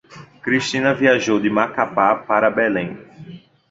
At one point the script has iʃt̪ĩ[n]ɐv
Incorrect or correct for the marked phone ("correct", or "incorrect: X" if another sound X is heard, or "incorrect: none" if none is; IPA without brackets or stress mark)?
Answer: correct